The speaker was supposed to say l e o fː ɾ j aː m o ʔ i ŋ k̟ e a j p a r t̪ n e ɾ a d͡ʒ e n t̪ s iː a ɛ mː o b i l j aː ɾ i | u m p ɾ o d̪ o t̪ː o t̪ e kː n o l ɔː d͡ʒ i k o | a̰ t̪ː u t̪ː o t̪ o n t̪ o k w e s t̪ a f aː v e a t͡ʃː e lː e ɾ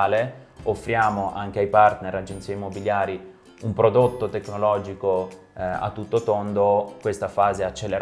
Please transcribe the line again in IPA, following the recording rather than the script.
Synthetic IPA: l e o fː ɾ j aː m o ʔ a ŋ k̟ e a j p a r t̪ n e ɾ a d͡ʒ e n t̪ s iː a i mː o b i l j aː ɾ i | u m p ɾ o d̪ o t̪ː o t̪ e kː n o l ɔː d͡ʒ i k o | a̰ t̪ː u t̪ː o t̪ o n d̪ o k w e s t̪ a f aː z e a t͡ʃː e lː e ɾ